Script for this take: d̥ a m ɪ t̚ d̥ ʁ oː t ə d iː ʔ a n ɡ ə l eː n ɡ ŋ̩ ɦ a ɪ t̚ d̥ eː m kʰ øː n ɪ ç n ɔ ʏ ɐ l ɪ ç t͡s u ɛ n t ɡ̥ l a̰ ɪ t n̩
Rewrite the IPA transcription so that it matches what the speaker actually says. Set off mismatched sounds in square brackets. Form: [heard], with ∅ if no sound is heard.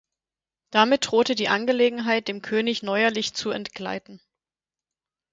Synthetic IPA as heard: d̥ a m ɪ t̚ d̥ ʁ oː t ə d iː ʔ a n ɡ ə l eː [∅] ɡ ŋ̩ ɦ a ɪ t̚ d̥ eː m kʰ øː n ɪ ç n ɔ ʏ ɐ l ɪ ç t͡s u ɛ n t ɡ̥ l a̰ ɪ t n̩